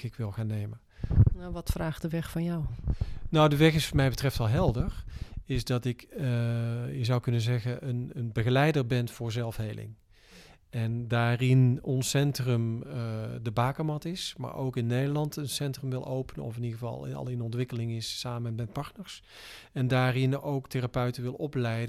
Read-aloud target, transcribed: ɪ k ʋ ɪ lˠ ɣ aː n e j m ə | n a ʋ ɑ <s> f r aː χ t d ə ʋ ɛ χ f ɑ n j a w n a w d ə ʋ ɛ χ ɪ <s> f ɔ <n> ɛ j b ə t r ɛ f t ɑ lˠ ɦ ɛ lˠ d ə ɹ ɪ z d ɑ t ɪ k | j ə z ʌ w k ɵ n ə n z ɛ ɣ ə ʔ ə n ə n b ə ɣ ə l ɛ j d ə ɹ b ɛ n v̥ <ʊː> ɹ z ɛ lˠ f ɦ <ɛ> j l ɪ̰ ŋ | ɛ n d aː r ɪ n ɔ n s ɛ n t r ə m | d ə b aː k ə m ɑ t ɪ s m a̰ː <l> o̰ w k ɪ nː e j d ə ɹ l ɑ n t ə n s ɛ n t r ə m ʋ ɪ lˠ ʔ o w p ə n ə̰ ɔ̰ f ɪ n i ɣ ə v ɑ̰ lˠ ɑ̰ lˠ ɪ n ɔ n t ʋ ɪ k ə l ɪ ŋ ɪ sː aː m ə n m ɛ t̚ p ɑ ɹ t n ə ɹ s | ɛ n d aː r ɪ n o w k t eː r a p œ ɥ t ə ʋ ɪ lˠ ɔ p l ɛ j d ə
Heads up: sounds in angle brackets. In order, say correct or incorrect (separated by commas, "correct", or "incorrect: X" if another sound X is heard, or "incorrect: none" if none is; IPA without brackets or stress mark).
incorrect: t, correct, incorrect: m, correct, incorrect: e, incorrect: ɹ